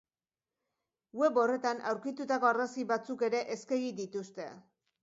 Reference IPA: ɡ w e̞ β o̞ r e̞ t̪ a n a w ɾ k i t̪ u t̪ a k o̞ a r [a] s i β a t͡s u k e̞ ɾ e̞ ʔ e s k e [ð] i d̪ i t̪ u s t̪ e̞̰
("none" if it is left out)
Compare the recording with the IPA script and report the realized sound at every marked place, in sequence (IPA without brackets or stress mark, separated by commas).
a, ɣ